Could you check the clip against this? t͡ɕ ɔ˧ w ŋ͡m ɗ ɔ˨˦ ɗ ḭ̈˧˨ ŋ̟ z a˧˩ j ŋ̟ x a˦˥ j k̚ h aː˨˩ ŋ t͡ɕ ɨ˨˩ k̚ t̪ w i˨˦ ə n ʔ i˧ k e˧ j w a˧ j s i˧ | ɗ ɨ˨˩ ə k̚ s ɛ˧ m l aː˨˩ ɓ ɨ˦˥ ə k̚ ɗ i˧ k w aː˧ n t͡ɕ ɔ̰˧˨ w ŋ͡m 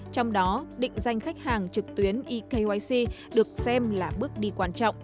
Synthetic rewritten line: t͡ɕ ɔ˧ w ŋ͡m ɗ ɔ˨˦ ɗ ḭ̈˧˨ ŋ̟ z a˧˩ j ŋ̟ x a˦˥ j k̚ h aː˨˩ ŋ t͡ɕ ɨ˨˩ k̚ t̪ w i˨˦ ə n ʔ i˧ k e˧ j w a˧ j s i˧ | ɗ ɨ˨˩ ə k̚ s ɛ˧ m l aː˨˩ ɓ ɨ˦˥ ə k̚ ɗ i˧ k w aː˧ n t͡ɕ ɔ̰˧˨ w ŋ͡m